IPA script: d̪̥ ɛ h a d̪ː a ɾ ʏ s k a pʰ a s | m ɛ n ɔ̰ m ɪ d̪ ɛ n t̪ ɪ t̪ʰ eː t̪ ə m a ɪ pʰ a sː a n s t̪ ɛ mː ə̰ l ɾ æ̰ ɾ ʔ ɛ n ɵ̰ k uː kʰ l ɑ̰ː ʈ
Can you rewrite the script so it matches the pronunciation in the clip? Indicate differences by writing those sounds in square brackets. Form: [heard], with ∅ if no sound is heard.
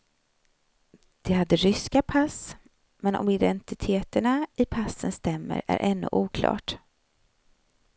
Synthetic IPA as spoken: d̪̥ ɛ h a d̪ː [ə] ɾ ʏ s k a pʰ a s | m ɛ n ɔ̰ m ɪ d̪ ɛ n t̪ ɪ t̪ʰ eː t̪ ə [ɳ] a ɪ pʰ a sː [ə] n s t̪ ɛ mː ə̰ [∅] ɾ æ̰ ɾ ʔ ɛ [nː] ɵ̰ [ʔ] uː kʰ l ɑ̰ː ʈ